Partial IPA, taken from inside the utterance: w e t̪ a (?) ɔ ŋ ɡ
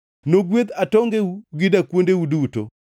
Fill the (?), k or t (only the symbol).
t